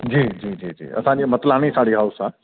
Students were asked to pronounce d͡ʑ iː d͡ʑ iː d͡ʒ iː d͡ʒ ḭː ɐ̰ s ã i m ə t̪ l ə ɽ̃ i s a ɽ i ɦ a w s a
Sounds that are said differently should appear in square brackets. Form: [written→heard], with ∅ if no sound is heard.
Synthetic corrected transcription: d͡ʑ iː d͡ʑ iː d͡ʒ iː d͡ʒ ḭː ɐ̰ s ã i m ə t̪ l [ə→a] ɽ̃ i s a ɽ i ɦ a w s a